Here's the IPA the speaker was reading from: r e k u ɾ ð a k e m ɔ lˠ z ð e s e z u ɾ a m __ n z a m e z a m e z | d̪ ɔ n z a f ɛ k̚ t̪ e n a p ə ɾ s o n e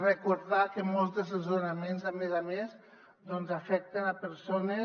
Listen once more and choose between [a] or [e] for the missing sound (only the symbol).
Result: e